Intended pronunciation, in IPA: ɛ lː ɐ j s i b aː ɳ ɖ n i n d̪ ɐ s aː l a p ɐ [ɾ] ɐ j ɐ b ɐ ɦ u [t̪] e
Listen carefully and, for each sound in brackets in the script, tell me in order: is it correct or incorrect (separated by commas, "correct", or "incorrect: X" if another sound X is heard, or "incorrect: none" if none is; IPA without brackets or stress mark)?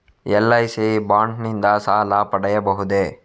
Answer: incorrect: ɽ, incorrect: d̪